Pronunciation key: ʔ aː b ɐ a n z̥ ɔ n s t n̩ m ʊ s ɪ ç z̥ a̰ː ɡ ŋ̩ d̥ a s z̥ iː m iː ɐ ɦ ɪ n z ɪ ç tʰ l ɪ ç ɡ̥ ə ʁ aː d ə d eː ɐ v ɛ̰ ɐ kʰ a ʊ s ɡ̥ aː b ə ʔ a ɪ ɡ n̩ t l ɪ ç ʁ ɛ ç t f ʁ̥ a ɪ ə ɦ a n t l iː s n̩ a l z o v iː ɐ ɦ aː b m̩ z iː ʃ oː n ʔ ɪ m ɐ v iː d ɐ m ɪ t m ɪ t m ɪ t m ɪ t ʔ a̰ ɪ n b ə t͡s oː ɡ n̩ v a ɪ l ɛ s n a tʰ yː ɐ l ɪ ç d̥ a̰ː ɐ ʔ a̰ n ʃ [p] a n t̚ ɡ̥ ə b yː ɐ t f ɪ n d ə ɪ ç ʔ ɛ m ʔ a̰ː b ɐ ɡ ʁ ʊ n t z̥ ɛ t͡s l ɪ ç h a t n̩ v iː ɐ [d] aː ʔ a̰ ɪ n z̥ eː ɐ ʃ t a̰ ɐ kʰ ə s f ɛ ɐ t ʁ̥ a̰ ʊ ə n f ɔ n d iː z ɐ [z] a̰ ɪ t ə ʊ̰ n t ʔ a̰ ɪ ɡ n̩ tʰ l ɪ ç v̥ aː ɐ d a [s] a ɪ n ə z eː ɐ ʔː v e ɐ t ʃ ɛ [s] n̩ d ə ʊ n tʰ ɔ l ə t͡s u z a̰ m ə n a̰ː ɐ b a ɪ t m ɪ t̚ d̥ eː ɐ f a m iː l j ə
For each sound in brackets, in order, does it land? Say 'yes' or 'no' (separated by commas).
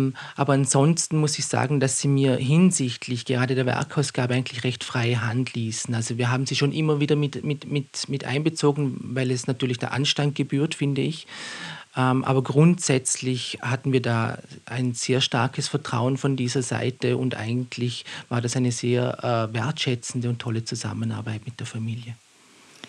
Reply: no, yes, yes, yes, no